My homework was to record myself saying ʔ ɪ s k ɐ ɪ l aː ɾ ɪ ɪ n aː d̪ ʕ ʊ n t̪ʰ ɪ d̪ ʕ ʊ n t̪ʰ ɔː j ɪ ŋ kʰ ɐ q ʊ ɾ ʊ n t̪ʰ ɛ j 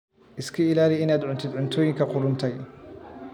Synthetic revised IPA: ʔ ɪ s kʰ ɐ ɪ l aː l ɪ ɪ n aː d̪ ʕ ʊ n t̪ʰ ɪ d̪ ʕ ʊ n t̪ʰ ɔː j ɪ ŋ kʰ ɐ q ʊ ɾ ʊ n t̪ʰ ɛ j